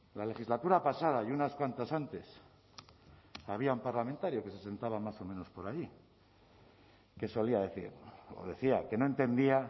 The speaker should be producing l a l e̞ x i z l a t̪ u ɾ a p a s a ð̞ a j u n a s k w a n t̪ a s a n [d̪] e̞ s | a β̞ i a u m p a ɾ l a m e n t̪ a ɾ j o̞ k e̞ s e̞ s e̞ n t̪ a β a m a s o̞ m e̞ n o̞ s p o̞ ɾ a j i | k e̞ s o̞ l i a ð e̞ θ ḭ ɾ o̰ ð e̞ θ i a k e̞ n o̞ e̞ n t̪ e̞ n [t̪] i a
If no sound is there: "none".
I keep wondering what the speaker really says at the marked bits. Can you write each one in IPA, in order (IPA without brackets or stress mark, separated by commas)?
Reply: t̪, d̪